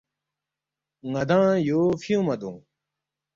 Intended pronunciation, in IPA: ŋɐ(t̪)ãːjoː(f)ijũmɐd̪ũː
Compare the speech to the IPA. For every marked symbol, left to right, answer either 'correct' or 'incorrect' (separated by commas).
incorrect, correct